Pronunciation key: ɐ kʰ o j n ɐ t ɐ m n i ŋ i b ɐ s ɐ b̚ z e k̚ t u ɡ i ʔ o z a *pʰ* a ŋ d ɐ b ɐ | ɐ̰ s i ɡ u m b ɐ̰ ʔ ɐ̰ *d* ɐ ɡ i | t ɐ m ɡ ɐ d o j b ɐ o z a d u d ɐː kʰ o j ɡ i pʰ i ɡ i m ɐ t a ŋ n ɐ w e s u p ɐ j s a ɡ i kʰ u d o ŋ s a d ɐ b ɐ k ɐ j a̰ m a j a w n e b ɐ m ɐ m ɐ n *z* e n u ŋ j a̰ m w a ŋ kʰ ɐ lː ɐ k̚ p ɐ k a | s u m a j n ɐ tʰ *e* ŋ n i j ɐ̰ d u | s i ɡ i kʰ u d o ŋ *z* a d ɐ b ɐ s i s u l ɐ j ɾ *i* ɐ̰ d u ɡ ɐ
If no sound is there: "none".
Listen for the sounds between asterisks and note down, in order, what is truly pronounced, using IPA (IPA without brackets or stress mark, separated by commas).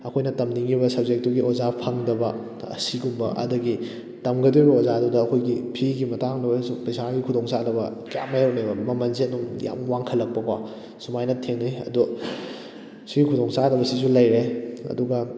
pʰ, d, z, e, s, e